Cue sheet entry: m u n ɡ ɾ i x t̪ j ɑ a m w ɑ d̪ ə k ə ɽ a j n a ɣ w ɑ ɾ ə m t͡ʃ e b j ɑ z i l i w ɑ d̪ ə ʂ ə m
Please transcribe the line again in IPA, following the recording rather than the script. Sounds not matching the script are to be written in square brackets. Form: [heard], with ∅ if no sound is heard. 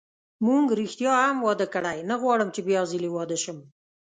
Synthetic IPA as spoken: m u [ŋ] ɡ ɾ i x t̪ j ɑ a m w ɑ d̪ ə k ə ɽ a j n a ɣ w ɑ [ɽ] ə m t͡ʃ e b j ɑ z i l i w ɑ d̪ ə [ʃ] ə m